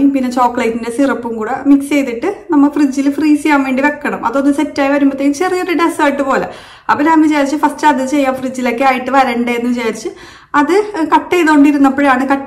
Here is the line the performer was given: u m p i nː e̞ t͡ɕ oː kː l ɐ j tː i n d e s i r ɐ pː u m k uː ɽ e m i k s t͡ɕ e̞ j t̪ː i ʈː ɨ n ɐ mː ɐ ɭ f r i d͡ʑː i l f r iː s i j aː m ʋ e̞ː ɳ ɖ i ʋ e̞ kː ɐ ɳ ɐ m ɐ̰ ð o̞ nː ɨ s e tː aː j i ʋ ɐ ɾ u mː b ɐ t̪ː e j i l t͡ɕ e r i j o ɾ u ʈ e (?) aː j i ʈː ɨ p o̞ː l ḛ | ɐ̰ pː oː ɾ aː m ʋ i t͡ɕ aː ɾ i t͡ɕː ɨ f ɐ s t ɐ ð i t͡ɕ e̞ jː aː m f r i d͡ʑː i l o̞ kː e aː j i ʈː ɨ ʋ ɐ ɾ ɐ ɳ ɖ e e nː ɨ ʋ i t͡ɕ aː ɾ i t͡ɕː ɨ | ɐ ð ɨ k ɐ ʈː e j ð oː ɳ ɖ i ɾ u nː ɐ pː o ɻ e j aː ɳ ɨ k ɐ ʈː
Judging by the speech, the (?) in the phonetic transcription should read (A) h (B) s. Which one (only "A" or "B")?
B